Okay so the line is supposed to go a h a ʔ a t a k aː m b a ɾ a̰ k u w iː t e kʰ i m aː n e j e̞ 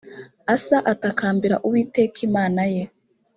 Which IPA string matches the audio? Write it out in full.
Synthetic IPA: a s a ʔ a t a k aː m b i ɾ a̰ ʔ u w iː t e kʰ i m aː n a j e̞